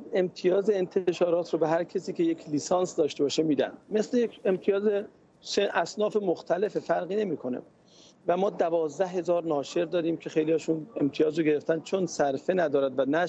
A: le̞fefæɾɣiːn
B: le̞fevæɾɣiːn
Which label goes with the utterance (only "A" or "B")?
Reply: A